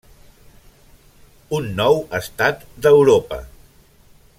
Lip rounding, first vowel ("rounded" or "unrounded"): rounded